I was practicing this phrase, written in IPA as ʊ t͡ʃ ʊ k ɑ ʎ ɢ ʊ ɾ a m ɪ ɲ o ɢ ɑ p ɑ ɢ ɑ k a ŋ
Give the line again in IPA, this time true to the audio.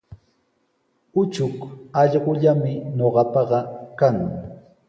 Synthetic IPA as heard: ʊ t͡ʃ ʊ k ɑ ʎ ɢ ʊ ʎ a m ɪ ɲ o ɢ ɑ p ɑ ɢ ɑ k a ŋ